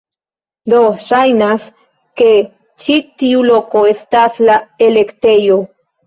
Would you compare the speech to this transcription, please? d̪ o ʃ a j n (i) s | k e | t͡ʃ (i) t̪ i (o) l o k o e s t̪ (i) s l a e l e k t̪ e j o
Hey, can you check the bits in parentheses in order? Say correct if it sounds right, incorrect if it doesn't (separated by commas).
incorrect, correct, incorrect, incorrect